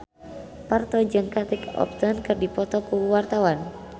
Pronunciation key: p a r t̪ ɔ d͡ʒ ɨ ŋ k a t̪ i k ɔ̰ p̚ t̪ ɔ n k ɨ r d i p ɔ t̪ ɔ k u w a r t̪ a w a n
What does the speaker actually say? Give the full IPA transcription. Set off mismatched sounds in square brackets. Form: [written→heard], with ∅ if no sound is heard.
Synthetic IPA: p a r t̪ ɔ d͡ʒ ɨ ŋ k a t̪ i k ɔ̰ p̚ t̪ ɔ n k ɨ r d i p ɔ t̪ ɔ k u w a r t̪ a w a n